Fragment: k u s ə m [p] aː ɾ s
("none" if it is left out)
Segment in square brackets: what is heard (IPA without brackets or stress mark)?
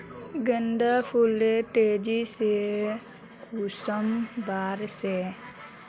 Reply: b